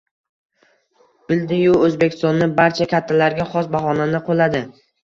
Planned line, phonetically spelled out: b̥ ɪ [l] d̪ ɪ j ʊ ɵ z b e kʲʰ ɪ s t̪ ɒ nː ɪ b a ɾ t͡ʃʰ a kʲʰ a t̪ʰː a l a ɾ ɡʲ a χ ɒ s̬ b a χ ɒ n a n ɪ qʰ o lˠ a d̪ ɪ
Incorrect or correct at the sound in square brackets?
correct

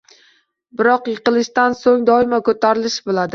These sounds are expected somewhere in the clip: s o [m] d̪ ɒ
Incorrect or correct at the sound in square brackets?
incorrect: ŋ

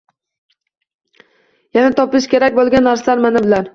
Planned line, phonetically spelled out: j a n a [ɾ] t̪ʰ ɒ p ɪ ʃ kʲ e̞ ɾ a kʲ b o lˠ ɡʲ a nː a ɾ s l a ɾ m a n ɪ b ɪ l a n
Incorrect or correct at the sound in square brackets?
incorrect: none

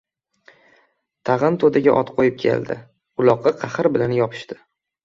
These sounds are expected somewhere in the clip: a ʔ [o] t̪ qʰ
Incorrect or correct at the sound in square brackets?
incorrect: ɒ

